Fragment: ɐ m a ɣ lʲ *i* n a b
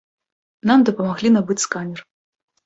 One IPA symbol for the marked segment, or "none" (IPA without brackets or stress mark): i